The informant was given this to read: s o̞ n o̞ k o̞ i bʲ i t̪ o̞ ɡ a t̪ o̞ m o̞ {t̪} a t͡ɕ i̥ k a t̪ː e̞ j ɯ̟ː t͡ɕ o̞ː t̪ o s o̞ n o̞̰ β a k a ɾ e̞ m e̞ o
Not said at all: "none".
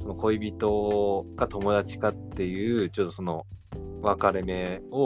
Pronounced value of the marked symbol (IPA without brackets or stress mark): d̪